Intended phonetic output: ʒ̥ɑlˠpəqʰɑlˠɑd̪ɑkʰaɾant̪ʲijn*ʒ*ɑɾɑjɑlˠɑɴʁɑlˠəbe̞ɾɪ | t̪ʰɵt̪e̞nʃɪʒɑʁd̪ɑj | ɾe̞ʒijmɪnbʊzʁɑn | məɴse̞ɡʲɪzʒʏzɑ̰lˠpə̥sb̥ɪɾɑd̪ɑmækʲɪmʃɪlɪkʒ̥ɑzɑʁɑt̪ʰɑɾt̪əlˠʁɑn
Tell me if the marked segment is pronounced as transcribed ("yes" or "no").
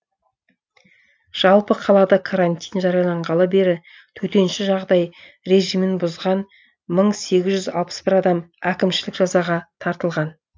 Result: yes